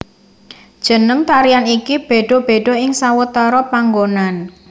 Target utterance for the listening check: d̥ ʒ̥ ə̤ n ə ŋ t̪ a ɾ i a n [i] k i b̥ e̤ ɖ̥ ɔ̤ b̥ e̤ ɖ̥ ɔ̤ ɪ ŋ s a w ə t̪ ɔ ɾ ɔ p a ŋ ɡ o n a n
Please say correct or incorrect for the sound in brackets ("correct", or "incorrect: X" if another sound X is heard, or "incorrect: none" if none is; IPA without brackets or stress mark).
correct